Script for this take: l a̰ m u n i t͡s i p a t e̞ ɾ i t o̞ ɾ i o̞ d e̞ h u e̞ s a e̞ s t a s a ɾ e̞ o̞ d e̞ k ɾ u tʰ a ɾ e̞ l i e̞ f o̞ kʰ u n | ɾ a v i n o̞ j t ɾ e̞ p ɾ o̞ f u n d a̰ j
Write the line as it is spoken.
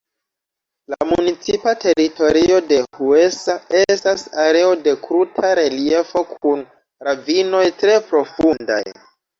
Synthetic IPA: l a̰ m u n i t͡s i p a t e̞ ɾ i t o̞ ɾ i o̞ d e̞ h u e̞ s a e̞ s t a s a ɾ e̞ o̞ d e̞ k ɾ u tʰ a ɾ e̞ l i e̞ f o̞ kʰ u n | ɾ a v i n o̞ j t ɾ e̞ p ɾ o̞ f u n d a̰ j